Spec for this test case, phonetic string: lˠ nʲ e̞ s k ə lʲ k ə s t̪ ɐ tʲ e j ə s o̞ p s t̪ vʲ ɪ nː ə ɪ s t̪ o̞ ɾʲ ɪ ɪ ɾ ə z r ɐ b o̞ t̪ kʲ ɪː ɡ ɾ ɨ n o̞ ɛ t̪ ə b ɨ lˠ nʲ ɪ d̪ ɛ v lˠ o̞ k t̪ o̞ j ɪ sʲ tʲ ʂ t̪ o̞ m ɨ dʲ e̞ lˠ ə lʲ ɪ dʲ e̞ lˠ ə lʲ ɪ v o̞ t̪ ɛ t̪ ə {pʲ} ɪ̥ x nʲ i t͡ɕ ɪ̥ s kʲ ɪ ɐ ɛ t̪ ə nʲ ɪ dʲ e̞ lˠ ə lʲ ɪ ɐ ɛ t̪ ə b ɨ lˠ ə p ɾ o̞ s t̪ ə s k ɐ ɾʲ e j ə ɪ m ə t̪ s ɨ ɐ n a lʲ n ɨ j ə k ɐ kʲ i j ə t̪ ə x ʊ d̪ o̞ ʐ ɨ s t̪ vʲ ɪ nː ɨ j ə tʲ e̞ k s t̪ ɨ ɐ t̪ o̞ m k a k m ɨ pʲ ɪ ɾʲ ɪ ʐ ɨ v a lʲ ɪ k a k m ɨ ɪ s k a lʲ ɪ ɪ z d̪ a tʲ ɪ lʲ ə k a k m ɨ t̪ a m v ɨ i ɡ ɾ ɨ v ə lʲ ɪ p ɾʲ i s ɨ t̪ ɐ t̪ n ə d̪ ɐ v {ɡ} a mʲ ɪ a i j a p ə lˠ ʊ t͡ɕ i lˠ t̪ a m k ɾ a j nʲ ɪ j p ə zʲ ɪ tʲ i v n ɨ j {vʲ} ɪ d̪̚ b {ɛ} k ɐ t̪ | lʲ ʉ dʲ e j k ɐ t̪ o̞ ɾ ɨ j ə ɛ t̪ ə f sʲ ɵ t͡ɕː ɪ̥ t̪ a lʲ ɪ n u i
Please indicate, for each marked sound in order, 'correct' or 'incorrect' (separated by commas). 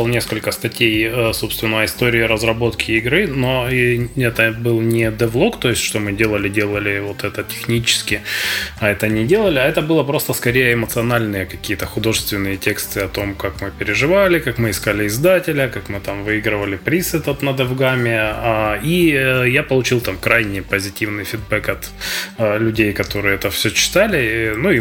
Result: incorrect, correct, incorrect, correct